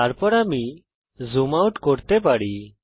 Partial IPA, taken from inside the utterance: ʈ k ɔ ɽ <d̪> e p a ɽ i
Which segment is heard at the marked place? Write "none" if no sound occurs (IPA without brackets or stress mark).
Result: t̪